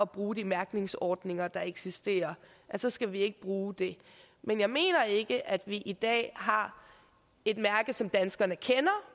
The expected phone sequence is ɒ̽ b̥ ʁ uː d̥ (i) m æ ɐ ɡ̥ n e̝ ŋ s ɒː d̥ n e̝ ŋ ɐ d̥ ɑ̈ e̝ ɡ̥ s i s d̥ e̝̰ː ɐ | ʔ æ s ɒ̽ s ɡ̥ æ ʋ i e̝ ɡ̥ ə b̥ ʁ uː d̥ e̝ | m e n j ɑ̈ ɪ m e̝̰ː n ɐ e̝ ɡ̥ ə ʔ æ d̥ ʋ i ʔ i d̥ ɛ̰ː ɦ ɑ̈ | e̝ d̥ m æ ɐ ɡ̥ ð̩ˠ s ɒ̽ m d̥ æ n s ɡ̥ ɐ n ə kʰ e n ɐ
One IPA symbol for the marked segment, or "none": i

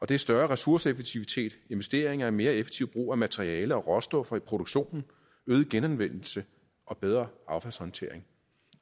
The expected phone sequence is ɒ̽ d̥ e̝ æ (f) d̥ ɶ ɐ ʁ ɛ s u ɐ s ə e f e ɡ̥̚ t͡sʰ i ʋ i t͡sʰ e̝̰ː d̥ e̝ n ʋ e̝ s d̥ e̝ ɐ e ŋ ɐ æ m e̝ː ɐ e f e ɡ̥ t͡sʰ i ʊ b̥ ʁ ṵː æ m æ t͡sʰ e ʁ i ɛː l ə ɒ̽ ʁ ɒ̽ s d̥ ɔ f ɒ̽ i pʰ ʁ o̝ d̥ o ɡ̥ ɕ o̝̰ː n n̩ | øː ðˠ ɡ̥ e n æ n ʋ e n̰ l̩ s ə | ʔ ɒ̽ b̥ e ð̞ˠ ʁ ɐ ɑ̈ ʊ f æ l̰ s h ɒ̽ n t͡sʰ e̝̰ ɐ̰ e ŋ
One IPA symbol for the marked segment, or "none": s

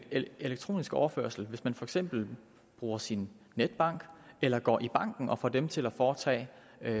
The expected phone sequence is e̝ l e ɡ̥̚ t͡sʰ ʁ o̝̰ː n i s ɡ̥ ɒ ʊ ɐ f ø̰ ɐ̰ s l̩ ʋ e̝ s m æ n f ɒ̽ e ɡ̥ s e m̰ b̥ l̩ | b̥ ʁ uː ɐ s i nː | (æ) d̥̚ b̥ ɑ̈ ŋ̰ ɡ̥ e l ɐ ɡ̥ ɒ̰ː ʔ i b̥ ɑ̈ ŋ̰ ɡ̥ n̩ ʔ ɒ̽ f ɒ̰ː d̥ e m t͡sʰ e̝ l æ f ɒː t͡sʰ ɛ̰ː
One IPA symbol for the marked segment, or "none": e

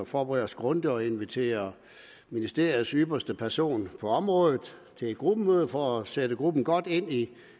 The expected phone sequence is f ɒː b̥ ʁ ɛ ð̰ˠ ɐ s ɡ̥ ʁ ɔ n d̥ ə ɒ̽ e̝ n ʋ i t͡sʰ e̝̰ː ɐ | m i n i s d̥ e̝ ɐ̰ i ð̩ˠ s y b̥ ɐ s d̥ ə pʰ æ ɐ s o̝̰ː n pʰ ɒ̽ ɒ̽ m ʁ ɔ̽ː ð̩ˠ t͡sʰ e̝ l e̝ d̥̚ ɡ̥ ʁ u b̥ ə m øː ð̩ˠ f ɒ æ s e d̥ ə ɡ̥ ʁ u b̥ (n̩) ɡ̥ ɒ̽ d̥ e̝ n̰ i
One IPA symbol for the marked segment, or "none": n̩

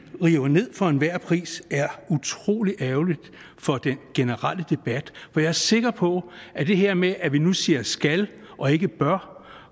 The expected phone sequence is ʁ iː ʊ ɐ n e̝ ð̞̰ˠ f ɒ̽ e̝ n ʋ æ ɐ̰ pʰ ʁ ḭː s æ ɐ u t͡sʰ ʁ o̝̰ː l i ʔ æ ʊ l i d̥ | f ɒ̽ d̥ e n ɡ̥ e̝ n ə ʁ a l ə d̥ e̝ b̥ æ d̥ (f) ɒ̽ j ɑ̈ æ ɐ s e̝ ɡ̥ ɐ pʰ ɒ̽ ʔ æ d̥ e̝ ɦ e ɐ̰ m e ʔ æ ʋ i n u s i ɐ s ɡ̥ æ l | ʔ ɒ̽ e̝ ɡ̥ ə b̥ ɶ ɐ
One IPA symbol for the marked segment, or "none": f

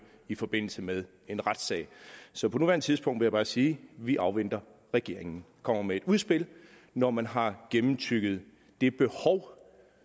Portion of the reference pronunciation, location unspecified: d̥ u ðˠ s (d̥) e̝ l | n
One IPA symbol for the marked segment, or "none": b̥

